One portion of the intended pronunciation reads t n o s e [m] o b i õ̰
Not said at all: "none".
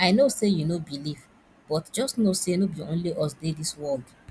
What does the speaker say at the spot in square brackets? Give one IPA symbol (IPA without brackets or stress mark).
n